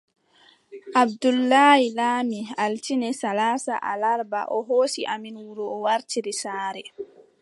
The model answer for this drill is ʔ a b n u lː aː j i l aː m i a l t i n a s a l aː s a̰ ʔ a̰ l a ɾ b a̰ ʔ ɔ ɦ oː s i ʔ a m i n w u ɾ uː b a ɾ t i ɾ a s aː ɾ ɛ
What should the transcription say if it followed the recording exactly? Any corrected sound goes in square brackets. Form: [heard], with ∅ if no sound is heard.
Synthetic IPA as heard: ʔ a b [d] u lː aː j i l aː m i a l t i n [ɛ] s a l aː s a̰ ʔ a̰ l a ɾ b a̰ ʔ ɔ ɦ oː s i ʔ a m i n w u ɾ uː [w] a ɾ t i ɾ [i] s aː ɾ ɛ